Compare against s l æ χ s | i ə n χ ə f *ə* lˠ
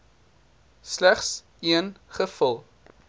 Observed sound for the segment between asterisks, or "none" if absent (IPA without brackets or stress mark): ə